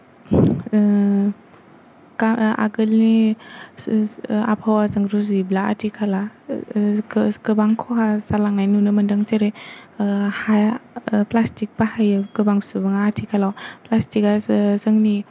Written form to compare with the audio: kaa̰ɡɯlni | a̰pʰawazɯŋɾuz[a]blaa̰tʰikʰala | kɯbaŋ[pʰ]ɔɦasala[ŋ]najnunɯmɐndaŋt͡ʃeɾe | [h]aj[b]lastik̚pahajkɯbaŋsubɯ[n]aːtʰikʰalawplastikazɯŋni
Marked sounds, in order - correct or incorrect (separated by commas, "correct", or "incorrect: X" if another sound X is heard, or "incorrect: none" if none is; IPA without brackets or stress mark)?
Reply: incorrect: i, incorrect: kʰ, correct, correct, incorrect: p, incorrect: ŋ